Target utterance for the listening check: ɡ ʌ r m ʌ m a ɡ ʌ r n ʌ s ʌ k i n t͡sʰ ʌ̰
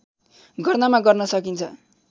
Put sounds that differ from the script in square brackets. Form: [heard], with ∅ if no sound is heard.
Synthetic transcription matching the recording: ɡ ʌ r [n] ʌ m a ɡ ʌ r n ʌ s ʌ k i n t͡sʰ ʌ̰